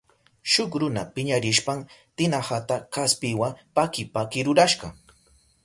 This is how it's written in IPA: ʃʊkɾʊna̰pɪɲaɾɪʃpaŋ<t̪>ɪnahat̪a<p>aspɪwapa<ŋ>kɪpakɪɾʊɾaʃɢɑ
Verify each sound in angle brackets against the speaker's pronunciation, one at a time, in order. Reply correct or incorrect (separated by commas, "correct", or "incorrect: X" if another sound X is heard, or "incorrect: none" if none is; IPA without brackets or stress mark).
correct, incorrect: k, incorrect: none